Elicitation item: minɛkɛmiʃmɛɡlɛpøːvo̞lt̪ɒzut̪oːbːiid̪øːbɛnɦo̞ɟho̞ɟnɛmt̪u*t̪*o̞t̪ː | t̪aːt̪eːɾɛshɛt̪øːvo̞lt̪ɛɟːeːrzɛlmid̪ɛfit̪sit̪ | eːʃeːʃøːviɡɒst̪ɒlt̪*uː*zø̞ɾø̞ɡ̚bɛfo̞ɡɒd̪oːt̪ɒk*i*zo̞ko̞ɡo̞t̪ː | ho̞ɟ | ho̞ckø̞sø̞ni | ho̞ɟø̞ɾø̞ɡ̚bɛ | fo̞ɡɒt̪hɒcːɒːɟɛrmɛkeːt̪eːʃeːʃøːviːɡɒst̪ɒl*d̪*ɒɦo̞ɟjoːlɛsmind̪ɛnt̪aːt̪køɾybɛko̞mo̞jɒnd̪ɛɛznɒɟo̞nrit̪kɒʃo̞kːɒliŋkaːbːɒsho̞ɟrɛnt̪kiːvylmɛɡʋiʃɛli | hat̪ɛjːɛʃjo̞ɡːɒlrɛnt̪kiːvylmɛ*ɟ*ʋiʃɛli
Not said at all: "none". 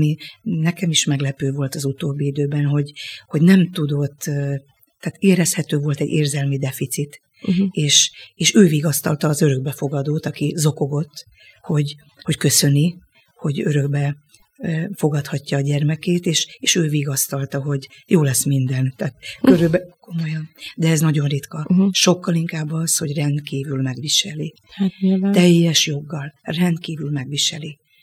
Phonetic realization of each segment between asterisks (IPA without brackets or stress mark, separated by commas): d̪, ɒː, i, t̪, ɡ